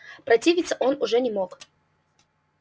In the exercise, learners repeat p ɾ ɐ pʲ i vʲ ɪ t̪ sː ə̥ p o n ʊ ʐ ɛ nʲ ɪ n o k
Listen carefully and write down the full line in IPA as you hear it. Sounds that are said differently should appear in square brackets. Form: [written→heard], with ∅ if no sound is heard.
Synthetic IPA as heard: p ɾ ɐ [pʲ→tʲ] i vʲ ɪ t̪ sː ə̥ [p→ʔ] o n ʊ ʐ ɛ nʲ ɪ [n→m] o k